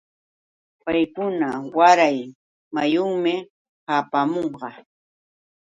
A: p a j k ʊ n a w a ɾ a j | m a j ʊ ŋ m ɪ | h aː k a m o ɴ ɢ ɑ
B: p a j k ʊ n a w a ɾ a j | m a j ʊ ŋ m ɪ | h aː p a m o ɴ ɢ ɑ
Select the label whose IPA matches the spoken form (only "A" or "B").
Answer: B